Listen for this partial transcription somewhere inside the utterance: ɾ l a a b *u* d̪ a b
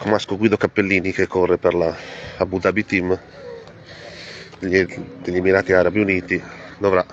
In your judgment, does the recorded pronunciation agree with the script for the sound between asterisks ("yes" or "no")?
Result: yes